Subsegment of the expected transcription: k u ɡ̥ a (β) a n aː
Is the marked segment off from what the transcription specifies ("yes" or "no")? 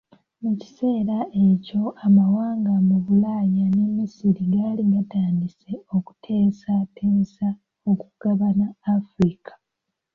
no